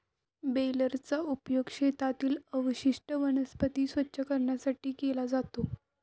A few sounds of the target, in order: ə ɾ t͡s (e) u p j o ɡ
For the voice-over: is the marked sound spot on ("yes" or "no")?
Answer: no